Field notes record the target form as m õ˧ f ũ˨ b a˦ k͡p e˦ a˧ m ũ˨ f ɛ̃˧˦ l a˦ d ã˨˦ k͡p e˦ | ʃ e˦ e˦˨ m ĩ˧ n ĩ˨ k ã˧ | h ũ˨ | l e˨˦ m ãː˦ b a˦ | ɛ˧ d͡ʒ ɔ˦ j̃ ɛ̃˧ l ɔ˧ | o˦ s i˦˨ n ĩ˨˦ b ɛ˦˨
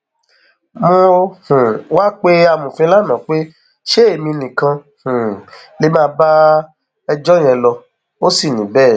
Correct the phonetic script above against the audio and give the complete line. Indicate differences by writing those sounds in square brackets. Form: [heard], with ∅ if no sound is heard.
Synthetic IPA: m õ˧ [h] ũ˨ [w] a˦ k͡p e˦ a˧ m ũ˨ f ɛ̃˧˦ l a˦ [n] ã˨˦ k͡p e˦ | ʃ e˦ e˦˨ m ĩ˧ n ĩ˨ k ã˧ | h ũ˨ | l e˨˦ m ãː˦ b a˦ | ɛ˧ d͡ʒ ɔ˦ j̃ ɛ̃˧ l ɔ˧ | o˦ s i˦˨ n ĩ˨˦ b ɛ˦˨